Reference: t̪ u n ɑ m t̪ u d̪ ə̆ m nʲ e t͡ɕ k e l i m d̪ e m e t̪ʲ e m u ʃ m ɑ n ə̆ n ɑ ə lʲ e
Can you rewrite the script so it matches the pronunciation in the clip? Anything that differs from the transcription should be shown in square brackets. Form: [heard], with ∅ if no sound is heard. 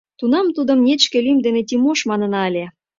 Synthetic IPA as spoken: t̪ u n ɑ m t̪ u d̪ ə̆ m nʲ e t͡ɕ k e l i m d̪ e [n] e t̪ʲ [i] m [o] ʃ m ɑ n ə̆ n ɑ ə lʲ e